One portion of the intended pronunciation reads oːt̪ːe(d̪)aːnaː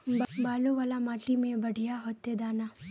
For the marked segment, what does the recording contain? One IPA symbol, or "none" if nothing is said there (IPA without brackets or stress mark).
d̪